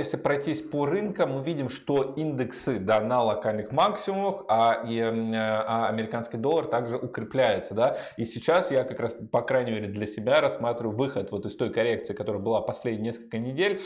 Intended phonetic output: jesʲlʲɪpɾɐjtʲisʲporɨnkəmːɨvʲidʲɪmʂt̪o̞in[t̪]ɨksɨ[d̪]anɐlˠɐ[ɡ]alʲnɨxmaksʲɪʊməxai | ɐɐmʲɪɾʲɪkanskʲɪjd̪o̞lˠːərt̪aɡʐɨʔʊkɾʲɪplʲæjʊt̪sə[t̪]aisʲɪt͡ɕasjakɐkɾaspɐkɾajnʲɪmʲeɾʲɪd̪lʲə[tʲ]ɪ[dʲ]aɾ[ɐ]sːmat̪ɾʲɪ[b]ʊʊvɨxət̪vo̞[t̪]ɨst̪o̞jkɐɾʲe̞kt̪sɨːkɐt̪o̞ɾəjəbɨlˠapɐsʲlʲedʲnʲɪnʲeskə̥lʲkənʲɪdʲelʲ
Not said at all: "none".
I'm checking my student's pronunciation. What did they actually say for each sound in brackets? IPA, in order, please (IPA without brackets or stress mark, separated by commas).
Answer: d̪, d̪, k, d̪, sʲ, bʲ, ɐ, v, t̪